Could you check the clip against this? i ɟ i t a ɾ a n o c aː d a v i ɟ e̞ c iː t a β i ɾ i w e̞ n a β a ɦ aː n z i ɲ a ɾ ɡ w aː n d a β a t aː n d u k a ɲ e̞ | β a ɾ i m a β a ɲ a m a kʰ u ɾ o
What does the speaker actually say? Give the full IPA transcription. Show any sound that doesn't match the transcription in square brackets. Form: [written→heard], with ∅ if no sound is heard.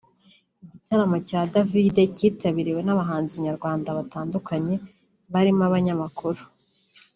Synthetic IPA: i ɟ i t a ɾ a [n→m] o c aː d a v i [ɟ→d] e̞ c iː t a β i ɾ i w e̞ n a β a ɦ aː n z i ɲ a ɾ ɡ w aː n d a β a t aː n d u k a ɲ e̞ | β a ɾ i m a β a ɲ a m a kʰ u ɾ [o→u]